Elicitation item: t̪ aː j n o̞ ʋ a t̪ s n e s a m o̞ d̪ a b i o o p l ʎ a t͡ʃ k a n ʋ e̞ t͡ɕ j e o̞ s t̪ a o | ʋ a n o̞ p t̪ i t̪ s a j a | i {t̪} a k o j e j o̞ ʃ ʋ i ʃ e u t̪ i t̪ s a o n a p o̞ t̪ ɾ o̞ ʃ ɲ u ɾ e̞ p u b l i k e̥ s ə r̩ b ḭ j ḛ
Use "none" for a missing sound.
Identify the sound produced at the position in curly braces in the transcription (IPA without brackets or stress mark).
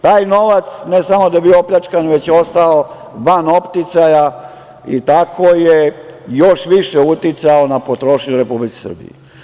t̪